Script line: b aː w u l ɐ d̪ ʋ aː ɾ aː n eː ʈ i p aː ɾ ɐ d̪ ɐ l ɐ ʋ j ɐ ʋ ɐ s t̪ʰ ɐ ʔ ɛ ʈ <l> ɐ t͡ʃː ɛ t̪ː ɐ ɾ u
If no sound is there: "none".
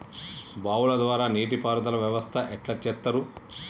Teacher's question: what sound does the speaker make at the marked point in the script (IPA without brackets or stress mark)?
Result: l